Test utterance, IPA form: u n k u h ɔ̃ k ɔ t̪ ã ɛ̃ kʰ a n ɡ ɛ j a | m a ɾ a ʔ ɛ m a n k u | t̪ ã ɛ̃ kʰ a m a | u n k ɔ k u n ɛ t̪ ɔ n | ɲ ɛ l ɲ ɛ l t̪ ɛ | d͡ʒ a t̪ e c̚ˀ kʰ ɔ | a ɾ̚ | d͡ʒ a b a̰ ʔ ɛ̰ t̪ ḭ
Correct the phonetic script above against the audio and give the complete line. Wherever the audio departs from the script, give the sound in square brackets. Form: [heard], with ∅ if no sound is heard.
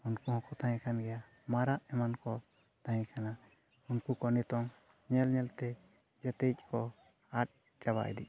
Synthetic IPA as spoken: u n k u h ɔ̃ k ɔ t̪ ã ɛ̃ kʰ a n ɡ ɛ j a | m a ɾ a ʔ ɛ m a n k [ɔ] | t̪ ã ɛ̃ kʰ a [n] a | u n k [u] k [ɔ] n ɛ t̪ ɔ [ŋ] | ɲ ɛ l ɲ ɛ l t̪ ɛ | d͡ʒ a t̪ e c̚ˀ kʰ ɔ | a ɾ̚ | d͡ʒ a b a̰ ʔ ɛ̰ [d̪] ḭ

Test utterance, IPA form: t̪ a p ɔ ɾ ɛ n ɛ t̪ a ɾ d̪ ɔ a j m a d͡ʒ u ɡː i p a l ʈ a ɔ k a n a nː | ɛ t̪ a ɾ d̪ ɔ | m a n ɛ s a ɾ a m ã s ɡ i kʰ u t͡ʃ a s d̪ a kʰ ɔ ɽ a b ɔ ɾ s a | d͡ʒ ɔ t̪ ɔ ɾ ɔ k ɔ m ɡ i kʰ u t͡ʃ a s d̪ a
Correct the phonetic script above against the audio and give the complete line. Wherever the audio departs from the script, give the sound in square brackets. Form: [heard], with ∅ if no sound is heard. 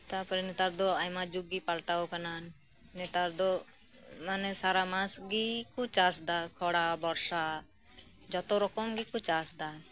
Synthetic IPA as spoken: t̪ a p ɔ ɾ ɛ n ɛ t̪ a ɾ d̪ ɔ a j m a d͡ʒ u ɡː i p a l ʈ a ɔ k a n a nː | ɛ t̪ a ɾ d̪ ɔ | m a n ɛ s a ɾ a m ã s ɡ i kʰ u t͡ʃ a s d̪ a kʰ ɔ ɽ a b ɔ ɾ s a | d͡ʒ ɔ t̪ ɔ ɾ ɔ k ɔ m ɡ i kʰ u t͡ʃ a s d̪ a

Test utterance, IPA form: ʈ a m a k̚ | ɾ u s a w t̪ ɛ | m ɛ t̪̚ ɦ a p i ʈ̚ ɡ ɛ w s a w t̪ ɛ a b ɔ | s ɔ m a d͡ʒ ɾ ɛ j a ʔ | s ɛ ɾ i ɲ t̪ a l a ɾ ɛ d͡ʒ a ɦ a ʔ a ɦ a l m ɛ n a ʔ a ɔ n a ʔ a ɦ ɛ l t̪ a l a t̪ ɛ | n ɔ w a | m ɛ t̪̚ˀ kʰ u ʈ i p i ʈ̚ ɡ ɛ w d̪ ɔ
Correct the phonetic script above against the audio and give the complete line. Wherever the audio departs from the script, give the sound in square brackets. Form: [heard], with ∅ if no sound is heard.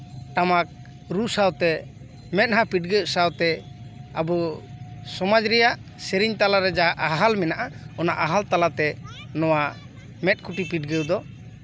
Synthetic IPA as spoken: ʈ a m a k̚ | ɾ u s a w t̪ ɛ | m ɛ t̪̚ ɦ a p i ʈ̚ ɡ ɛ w s a w t̪ ɛ a b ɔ | s ɔ m a d͡ʒ ɾ ɛ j a ʔ | s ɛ ɾ i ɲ t̪ a l a ɾ ɛ d͡ʒ a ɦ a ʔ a ɦ a l m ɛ n a ʔ a ɔ n a ʔ a ɦ [a] l t̪ a l a t̪ ɛ | n ɔ w a | m ɛ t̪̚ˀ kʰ u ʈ i p i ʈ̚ ɡ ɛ w d̪ ɔ

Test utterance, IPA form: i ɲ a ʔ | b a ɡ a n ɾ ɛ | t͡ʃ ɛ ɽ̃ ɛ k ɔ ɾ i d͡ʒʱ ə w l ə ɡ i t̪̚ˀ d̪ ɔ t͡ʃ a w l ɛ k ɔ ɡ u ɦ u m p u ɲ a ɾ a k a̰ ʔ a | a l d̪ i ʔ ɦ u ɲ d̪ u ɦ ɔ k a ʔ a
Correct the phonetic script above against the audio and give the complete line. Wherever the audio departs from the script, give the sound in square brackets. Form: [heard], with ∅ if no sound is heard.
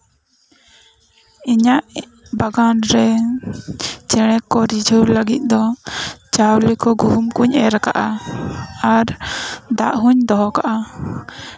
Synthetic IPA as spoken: i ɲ a ʔ | b a ɡ a n ɾ ɛ | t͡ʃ ɛ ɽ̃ ɛ k ɔ ɾ i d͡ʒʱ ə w l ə ɡ i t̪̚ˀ d̪ ɔ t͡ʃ a w l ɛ k ɔ ɡ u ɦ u m [k] u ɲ [ɛ] ɾ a k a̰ ʔ a | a [ɾ] d̪ [a] ʔ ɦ u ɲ d̪ [ɔ] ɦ ɔ k a ʔ a

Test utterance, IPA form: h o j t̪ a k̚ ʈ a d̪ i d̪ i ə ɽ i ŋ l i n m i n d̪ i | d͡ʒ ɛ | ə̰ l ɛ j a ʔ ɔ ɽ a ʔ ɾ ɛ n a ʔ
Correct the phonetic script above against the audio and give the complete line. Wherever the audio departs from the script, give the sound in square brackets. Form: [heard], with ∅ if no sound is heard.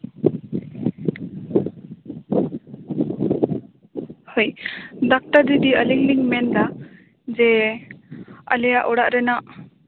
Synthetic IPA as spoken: h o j [d̪] a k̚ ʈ a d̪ i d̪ i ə [l] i ŋ l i [ŋ] m [ɛ] n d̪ [a] | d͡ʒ ɛ | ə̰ l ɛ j a ʔ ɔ ɽ a ʔ ɾ ɛ n a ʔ

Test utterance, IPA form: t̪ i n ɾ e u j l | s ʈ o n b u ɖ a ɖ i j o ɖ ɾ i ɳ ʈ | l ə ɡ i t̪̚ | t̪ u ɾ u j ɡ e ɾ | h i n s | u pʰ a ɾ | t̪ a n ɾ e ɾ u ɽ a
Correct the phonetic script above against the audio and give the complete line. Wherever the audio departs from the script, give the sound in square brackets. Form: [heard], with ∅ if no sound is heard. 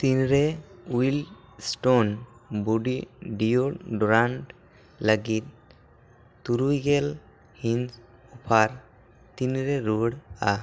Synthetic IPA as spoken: t̪ i n ɾ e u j l | s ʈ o n b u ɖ [i] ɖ i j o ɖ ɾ [a] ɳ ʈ | l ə ɡ i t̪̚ | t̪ u ɾ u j ɡ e [l] | h i n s | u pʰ a ɾ | t̪ [i] n ɾ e ɾ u ɽ a

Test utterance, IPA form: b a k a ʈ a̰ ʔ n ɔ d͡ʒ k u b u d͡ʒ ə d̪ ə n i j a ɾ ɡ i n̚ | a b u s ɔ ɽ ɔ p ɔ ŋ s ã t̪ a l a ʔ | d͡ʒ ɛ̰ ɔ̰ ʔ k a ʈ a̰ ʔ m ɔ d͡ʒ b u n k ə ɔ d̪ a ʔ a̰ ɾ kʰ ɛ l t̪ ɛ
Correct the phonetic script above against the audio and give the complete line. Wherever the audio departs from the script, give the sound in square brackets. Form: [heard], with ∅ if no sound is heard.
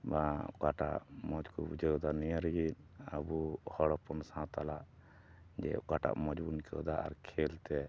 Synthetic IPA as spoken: b a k a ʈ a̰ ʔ [m] ɔ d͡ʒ k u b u d͡ʒ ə d̪ [a] n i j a ɾ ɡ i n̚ | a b u [h] ɔ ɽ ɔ p ɔ [n] s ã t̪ a l a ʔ | d͡ʒ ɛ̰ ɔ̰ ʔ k a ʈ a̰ ʔ m ɔ d͡ʒ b u n k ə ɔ d̪ a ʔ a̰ ɾ kʰ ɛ l t̪ ɛ

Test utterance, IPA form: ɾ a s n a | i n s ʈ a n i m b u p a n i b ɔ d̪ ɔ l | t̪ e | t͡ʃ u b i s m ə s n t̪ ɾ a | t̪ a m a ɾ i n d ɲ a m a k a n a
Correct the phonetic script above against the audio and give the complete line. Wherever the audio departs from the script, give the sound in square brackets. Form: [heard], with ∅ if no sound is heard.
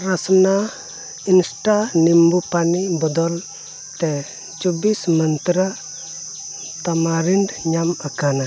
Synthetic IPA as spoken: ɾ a s n a | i n s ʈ a n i m b u p a n i b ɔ d̪ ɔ l | t̪ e | t͡ʃ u b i s m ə [∅] n t̪ ɾ a | t̪ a m a ɾ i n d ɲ a m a k a n a

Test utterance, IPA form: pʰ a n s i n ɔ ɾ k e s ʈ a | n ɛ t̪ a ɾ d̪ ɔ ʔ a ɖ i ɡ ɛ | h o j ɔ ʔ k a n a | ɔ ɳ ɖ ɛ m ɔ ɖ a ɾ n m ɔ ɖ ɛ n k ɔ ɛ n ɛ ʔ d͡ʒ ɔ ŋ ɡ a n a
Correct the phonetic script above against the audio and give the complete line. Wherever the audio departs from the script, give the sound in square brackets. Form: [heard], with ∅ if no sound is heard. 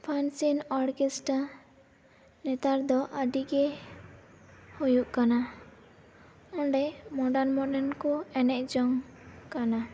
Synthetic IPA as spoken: pʰ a n s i n ɔ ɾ k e s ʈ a | n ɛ t̪ a ɾ d̪ ɔ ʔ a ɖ i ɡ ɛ | h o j [u] ʔ k a n a | ɔ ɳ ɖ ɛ m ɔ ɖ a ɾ n m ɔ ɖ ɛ n k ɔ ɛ n ɛ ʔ d͡ʒ ɔ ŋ [k] a n a

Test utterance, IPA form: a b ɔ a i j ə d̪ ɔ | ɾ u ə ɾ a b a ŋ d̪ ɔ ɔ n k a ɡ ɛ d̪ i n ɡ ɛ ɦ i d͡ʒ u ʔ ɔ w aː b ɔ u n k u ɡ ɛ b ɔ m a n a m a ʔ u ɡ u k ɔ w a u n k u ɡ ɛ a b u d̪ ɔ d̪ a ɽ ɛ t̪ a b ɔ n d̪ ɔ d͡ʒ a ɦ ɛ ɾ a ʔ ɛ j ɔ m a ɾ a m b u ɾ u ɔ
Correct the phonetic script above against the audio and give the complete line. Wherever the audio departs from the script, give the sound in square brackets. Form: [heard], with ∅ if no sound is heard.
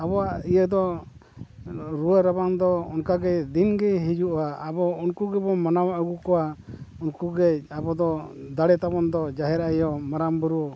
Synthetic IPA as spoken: a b ɔ a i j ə d̪ ɔ | ɾ u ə ɾ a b a ŋ d̪ ɔ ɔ n k a ɡ ɛ d̪ i n ɡ ɛ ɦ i d͡ʒ u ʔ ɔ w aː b ɔ u n k u ɡ ɛ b ɔ m a n a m a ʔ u ɡ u k ɔ w a u n k u ɡ ɛ a b [ɔ] d̪ ɔ d̪ a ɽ ɛ t̪ a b ɔ n d̪ ɔ d͡ʒ a ɦ ɛ ɾ a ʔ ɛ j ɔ m a ɾ a m b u ɾ u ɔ

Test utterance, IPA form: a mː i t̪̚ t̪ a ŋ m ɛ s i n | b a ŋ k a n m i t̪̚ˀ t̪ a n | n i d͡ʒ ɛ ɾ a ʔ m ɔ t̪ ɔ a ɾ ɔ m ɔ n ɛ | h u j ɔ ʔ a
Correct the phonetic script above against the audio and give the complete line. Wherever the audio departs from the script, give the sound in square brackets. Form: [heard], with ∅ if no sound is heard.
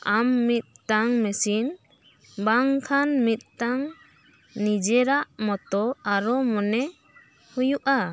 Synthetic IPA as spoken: a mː i t̪̚ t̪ a ŋ m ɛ s i n | b a ŋ [kʰ] a n m i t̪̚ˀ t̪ a [ŋ] | n i d͡ʒ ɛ ɾ a ʔ m ɔ t̪ ɔ a ɾ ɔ m ɔ n ɛ | h u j [u] ʔ a

